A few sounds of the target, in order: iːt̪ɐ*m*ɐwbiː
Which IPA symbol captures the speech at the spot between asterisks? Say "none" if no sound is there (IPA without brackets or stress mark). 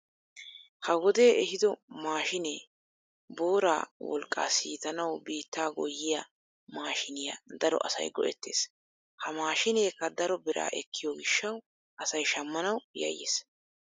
n